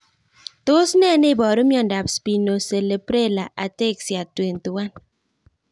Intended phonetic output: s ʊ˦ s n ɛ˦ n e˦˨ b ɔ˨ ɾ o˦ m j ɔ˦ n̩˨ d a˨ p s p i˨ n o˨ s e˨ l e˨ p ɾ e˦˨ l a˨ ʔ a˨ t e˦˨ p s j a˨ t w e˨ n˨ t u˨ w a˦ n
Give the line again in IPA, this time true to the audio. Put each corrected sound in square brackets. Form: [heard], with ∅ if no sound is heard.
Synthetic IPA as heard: [t] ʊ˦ s n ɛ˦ n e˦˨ b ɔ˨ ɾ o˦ m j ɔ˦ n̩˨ d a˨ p s p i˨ n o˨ s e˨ l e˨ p ɾ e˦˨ l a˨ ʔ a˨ t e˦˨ [k] s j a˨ t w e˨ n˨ t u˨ w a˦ n